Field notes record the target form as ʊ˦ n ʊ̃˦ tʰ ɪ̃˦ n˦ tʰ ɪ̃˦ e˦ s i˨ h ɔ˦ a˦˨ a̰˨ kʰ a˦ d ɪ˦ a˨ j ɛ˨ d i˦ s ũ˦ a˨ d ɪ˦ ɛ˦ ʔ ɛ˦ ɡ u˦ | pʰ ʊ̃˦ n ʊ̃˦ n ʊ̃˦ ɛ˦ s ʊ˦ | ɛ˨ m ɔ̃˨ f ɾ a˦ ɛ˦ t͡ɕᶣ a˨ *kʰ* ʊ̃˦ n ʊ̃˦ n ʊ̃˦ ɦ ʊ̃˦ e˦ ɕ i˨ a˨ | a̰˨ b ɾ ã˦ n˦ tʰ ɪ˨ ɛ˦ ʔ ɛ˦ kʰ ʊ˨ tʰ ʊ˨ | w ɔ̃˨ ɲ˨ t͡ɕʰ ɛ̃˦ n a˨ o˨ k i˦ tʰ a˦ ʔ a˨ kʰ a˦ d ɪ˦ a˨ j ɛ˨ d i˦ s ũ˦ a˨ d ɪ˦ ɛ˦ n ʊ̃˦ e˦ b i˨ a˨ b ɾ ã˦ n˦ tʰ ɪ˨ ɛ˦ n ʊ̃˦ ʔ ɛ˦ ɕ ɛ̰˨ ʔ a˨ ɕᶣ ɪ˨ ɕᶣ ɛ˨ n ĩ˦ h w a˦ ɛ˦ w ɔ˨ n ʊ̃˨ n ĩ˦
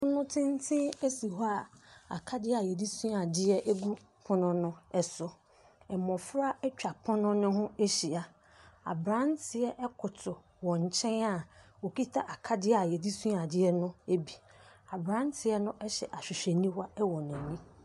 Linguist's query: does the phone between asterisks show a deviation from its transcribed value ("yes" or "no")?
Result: yes